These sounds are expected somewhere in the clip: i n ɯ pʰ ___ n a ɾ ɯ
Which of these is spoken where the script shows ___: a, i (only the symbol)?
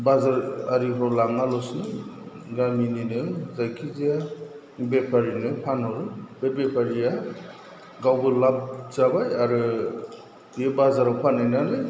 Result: a